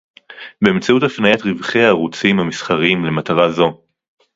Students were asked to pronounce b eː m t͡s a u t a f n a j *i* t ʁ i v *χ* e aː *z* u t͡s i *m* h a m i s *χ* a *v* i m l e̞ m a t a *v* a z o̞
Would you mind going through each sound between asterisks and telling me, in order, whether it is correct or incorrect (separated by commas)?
incorrect, correct, incorrect, correct, correct, incorrect, incorrect